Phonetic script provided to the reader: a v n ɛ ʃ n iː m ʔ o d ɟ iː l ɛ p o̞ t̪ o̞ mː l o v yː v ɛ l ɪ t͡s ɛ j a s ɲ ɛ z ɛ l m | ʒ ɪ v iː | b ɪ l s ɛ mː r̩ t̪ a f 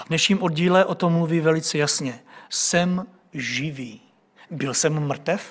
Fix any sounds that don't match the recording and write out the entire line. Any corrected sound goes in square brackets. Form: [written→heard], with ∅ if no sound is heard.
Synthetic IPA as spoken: a v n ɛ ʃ [n→ɲ] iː m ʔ o d ɟ iː l ɛ [p→ʔ] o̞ t̪ o̞ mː l [o→u] v [yː→iː] v ɛ l ɪ t͡s ɛ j a s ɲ ɛ [z→s] ɛ [l→∅] m | ʒ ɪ v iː | b ɪ l s ɛ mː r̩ t̪ [a→ɛ] f